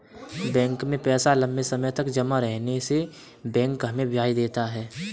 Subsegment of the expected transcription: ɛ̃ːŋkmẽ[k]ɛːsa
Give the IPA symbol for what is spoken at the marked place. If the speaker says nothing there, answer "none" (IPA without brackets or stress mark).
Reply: p